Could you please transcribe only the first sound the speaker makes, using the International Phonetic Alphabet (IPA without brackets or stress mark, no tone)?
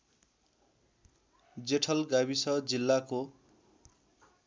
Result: d͡z